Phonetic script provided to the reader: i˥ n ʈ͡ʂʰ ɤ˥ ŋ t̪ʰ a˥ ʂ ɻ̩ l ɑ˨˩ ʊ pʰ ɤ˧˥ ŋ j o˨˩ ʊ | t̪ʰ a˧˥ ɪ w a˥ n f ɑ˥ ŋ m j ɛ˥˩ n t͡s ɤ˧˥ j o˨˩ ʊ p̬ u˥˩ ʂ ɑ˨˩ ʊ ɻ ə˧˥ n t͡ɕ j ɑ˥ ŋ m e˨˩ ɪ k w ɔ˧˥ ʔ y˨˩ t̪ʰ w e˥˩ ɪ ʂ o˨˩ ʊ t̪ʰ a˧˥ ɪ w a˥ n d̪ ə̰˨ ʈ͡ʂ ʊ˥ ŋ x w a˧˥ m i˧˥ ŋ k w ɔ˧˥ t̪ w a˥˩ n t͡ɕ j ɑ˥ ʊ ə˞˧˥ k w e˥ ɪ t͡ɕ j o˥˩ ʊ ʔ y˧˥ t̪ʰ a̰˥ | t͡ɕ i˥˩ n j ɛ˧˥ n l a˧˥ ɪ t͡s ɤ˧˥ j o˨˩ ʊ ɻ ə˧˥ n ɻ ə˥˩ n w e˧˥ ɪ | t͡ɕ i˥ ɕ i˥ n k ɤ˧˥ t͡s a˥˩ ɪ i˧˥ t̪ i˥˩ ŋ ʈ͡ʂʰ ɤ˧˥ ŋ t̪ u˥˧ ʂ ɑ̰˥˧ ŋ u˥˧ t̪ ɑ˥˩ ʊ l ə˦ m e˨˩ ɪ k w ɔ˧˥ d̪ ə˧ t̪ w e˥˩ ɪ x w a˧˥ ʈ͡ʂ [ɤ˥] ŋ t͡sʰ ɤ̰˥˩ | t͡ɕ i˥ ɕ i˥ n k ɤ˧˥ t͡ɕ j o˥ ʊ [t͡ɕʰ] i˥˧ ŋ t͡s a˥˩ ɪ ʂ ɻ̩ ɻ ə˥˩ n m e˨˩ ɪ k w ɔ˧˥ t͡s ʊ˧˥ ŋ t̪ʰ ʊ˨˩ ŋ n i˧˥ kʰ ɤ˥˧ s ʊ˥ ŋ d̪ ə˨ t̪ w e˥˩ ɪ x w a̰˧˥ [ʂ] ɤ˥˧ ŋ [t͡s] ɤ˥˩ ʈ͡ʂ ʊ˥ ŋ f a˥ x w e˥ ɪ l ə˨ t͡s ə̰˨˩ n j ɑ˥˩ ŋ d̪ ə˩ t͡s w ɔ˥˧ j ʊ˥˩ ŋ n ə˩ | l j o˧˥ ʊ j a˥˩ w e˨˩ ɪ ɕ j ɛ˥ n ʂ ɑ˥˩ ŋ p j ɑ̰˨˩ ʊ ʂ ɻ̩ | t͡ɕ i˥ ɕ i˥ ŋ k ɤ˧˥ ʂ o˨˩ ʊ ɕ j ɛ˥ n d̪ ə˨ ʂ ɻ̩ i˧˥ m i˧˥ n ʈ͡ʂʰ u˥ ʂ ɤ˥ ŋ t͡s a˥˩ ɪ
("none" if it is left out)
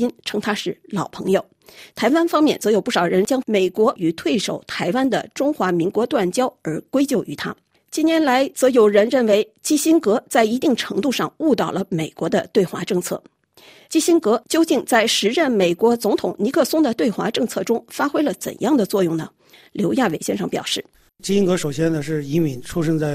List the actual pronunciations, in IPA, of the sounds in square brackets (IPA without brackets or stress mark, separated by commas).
ɤ˥˧, t͡ɕ, ʈ͡ʂ, t͡sʰ